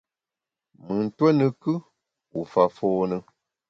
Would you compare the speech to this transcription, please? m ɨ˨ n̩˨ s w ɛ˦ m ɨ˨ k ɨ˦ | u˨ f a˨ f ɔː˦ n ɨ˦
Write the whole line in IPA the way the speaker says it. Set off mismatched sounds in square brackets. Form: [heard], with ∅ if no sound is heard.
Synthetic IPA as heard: m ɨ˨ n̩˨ [t] w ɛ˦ [n] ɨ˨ k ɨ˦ | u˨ f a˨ f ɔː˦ n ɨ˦